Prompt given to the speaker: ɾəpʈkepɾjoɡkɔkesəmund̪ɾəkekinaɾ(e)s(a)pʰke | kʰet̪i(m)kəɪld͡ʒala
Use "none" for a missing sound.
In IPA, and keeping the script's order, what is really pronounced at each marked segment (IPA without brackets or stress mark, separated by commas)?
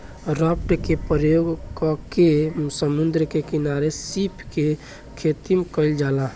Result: e, i, m